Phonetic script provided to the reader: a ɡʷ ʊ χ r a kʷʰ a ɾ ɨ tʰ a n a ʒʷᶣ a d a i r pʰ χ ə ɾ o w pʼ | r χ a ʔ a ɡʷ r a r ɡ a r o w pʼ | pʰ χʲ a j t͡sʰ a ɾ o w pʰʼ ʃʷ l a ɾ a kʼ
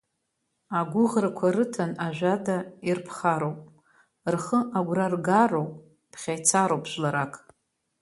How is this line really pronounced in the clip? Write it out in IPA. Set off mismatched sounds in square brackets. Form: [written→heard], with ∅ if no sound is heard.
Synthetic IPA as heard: a ɡʷ ʊ [χ→ʁ] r a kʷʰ a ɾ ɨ tʰ a n a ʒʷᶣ a d a i r pʰ χ [ə→a] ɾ o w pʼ | r χ [a→ə] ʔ a ɡʷ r a r ɡ a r o w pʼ | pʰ χʲ a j t͡sʰ a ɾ o w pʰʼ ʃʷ l a ɾ a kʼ